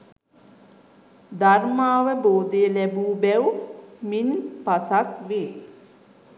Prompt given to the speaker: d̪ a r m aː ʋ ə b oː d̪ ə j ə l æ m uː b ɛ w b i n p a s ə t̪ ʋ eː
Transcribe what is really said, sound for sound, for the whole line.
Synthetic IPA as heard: d̪ a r m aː ʋ ə b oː d̪ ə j ə l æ b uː b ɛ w m i n p a s a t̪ ʋ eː